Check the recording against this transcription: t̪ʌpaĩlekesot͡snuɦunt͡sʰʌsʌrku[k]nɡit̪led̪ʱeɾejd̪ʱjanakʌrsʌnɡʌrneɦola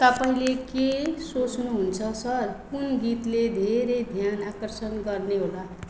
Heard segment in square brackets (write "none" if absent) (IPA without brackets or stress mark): none